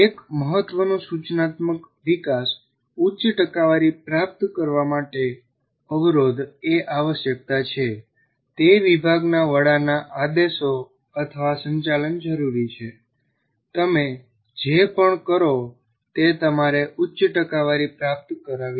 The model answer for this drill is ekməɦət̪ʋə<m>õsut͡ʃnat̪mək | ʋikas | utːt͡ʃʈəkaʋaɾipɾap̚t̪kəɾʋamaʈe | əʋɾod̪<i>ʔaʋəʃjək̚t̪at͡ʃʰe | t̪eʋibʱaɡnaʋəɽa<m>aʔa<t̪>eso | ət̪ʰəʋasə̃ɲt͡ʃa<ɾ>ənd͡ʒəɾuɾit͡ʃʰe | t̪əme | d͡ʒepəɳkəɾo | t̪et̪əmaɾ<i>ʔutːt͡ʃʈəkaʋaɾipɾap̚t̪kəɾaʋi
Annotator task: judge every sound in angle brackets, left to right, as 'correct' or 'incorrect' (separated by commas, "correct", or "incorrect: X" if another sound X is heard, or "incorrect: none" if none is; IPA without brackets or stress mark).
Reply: incorrect: n, incorrect: e, incorrect: n, incorrect: d̪, incorrect: l, incorrect: e